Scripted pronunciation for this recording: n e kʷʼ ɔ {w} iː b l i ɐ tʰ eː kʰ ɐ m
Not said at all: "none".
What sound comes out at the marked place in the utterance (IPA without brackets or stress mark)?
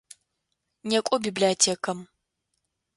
b